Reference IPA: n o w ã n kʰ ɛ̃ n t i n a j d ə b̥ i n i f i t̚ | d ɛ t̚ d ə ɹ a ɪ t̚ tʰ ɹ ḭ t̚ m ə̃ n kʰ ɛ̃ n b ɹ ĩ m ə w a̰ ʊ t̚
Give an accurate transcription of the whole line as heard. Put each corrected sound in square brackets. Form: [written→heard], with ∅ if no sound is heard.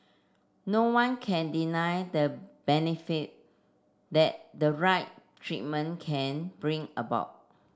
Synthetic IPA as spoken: n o w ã n kʰ ɛ̃ n [t→d] i n a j d ə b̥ [i→ɛ] n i f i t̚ | d ɛ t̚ d ə ɹ a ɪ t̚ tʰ ɹ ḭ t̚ m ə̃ n kʰ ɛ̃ n b ɹ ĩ [m→ŋ] ə [w→b] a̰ ʊ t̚

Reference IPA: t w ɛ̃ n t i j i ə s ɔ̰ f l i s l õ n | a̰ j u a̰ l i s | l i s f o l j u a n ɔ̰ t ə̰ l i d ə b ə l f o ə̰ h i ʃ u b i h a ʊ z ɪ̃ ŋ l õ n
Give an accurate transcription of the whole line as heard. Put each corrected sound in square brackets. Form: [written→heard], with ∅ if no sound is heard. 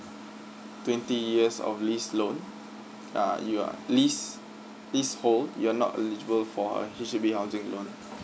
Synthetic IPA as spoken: t w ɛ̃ n t i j i ə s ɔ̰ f l i s l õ n | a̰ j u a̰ l i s | l i s [f→h] o l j u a n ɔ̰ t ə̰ l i [d→d͡ʒ] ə b ə l f [o→ɔ] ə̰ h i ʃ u b i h a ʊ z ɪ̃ ŋ l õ n

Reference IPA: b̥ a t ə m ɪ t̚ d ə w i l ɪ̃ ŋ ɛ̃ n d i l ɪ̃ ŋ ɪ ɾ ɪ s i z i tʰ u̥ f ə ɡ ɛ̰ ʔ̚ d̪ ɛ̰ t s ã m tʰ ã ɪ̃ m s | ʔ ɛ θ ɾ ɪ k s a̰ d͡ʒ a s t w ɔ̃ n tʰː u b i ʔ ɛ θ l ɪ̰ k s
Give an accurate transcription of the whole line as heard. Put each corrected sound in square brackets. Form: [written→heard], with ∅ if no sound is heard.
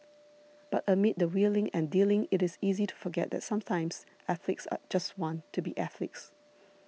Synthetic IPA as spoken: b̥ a t ə m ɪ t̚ d ə w i l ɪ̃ ŋ ɛ̃ n d i l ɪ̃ ŋ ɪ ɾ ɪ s i z i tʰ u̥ f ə ɡ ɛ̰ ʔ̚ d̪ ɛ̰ t s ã m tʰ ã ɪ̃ m s | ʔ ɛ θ [ɾ→l] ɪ k s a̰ d͡ʒ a s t w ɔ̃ n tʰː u b i ʔ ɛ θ l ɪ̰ k s

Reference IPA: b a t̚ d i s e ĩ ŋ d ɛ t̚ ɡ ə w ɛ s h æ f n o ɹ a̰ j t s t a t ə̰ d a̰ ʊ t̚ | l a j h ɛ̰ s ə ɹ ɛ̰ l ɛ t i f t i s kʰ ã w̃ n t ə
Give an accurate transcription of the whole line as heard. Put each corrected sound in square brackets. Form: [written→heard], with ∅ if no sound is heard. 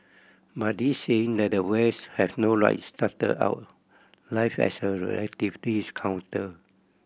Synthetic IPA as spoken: b a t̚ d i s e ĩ ŋ d ɛ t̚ [ɡ→d] ə w ɛ s h [æ→ɛ] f n o ɹ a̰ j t s t a t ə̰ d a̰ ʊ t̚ | l a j [h→f] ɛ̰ s ə ɹ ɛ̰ l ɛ t i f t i s kʰ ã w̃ n t ə

